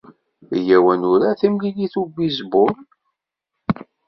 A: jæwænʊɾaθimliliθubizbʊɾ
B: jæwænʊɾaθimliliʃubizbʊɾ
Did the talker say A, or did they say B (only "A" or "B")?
A